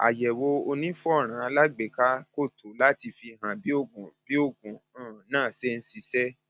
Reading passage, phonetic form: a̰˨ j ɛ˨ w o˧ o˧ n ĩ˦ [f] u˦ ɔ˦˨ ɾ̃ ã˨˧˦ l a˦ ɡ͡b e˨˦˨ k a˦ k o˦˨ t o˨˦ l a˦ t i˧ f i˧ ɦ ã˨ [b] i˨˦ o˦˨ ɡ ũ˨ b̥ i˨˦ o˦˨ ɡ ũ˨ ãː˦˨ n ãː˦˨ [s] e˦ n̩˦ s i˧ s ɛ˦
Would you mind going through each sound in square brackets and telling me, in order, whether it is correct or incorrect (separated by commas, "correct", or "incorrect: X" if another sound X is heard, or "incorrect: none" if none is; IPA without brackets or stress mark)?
correct, correct, correct